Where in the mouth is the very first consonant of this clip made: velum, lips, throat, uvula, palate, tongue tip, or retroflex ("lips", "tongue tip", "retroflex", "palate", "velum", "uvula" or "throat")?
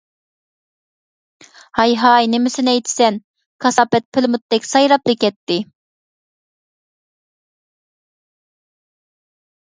throat